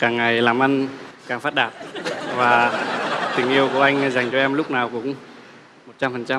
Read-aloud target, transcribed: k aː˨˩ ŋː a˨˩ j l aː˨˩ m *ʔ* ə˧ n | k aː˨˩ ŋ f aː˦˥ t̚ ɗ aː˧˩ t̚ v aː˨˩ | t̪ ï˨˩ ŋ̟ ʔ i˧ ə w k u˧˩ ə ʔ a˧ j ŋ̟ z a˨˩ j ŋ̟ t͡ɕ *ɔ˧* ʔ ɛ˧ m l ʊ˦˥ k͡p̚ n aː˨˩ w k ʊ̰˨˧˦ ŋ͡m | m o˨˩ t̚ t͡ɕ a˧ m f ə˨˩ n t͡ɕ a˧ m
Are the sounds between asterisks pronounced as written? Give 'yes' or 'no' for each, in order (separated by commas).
yes, yes